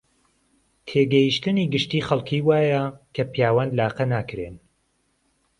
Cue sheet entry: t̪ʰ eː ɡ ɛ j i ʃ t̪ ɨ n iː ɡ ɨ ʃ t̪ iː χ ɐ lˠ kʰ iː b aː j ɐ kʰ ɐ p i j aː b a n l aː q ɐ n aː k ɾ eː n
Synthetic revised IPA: t̪ʰ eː ɡ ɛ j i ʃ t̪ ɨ n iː ɡ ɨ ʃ t̪ iː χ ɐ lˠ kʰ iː w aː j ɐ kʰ ɐ p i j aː w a n l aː q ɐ n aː k ɾ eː n